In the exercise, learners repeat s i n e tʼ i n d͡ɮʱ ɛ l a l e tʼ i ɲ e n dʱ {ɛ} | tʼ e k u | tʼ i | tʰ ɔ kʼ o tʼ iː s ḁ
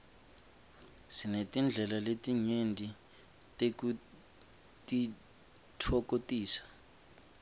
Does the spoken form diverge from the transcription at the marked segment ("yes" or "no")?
yes